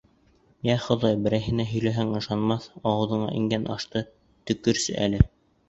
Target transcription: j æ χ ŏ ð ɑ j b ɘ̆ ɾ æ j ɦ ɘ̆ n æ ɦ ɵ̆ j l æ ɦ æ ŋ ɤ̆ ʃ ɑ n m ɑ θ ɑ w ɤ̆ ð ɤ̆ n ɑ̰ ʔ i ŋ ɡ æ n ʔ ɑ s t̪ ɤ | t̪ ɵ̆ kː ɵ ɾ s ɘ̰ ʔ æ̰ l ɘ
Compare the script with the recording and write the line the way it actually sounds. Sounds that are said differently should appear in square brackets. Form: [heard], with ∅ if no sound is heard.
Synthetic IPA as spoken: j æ χ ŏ ð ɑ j b ɘ̆ ɾ æ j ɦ ɘ̆ n æ ɦ ɵ̆ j l æ ɦ æ ŋ ɤ̆ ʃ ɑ n m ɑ θ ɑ w ɤ̆ ð ɤ̆ [ɴ] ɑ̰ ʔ i ŋ ɡ æ n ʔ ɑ [ʃ] t̪ ɤ | t̪ ɵ̆ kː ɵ ɾ s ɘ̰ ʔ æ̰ l ɘ